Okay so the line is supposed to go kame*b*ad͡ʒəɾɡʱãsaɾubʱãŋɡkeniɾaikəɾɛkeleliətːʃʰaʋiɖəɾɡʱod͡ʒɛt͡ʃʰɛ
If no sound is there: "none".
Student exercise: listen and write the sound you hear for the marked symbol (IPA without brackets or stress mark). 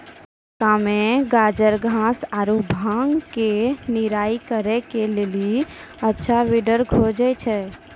ɡ